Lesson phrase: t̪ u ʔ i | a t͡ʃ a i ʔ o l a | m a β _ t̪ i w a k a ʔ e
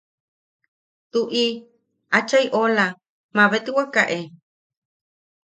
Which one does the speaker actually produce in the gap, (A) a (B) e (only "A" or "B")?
B